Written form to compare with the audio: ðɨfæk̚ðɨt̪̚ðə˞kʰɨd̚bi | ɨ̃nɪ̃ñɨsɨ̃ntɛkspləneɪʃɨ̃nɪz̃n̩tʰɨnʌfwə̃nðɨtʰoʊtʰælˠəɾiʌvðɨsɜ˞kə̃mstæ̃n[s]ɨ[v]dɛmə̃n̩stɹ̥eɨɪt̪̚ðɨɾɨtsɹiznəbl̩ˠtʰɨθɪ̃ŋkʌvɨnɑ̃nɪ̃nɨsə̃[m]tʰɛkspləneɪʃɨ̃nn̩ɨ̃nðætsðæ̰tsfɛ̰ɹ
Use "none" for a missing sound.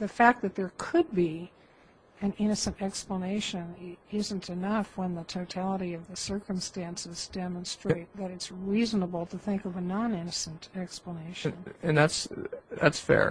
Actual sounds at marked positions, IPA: s, z, n

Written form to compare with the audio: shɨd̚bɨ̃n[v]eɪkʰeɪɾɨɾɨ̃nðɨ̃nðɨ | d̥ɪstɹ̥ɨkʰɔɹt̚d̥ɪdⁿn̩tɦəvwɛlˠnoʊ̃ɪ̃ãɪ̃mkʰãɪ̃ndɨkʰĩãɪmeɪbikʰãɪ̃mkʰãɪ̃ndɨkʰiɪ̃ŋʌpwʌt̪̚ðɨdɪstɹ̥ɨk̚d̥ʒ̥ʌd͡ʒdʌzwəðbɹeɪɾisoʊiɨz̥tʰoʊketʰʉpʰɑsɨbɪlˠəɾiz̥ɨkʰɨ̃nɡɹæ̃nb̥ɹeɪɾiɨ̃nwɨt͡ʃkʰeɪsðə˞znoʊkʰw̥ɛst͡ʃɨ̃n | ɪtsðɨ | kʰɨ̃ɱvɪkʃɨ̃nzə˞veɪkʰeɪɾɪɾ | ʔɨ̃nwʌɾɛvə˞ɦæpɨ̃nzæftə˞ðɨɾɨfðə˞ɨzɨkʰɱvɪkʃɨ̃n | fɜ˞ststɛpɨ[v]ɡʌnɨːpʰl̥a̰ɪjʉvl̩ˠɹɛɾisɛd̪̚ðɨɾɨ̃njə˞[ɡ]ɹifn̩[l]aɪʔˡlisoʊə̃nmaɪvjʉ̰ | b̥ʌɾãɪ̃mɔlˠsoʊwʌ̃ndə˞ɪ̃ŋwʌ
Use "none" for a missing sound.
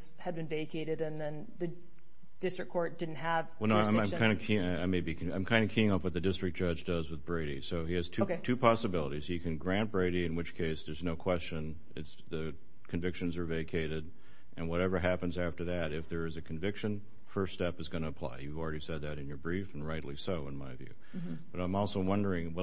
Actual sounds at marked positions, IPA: v, z, b, ɹ

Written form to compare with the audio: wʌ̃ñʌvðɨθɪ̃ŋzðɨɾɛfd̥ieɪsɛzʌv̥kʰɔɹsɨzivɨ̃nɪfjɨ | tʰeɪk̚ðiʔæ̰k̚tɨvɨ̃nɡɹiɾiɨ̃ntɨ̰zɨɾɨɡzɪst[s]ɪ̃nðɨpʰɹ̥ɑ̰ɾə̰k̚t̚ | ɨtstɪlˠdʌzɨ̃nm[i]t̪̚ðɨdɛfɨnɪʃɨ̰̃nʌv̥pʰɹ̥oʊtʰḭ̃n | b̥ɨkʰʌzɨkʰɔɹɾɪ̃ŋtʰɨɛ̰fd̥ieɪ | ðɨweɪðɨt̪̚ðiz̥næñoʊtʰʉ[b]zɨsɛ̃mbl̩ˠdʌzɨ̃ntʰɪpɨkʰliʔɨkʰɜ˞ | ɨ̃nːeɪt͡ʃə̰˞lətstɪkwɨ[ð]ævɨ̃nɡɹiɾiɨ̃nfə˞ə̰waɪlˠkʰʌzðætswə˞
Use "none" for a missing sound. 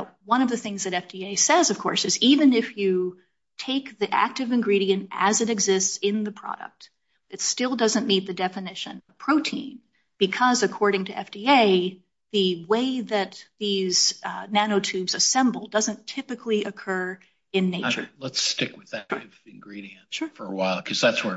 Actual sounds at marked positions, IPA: s, i, b, ð

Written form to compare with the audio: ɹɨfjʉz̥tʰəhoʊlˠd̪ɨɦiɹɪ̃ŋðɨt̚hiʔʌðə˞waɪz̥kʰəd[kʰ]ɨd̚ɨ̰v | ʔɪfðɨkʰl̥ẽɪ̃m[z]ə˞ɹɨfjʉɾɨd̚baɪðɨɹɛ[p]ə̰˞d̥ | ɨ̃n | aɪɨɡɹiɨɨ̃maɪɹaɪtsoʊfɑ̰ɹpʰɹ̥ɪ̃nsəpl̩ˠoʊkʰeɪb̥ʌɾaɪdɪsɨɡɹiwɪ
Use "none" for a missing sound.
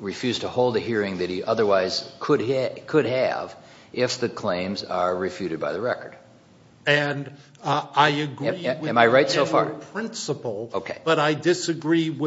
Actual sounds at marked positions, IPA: kʰ, z, k

